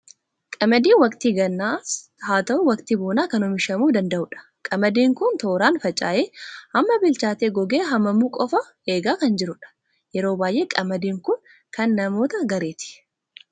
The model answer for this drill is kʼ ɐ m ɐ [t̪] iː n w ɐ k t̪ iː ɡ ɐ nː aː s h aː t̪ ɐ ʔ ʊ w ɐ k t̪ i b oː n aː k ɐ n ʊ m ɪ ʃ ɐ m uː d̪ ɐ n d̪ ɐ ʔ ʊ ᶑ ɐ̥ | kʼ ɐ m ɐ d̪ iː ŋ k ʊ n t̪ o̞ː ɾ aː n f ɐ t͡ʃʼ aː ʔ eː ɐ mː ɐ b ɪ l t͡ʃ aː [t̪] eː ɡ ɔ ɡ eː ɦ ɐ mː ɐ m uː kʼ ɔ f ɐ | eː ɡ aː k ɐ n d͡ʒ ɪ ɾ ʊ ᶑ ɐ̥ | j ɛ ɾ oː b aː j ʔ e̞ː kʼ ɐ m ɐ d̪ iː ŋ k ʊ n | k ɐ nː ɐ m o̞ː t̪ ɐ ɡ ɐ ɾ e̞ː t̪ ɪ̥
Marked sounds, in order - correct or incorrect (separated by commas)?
incorrect, correct